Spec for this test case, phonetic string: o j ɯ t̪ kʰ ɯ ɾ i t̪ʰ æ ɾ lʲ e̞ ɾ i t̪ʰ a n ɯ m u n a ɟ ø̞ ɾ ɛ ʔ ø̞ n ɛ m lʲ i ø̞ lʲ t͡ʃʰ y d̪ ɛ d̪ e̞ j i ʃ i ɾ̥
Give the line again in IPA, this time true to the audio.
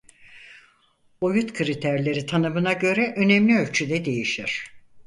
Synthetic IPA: o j u t̪ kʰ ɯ ɾ i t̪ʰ æ ɾ lʲ e̞ ɾ i t̪ʰ a n ɯ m ɯ n a ɟ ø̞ ɾ ɛ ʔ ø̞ n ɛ m lʲ i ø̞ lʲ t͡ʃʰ y d̪ ɛ d̪ e̞ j i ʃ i ɾ̥